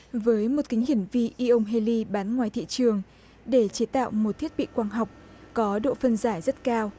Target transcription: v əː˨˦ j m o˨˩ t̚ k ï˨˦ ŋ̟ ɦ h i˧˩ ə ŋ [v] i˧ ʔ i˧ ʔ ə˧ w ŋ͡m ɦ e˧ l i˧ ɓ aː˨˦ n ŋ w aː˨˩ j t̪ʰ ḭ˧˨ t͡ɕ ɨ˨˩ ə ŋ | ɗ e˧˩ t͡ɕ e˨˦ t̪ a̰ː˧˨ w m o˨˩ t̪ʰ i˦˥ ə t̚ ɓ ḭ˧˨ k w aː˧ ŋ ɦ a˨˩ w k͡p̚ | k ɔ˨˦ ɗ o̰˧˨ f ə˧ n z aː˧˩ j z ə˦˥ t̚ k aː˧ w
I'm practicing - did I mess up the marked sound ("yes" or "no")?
no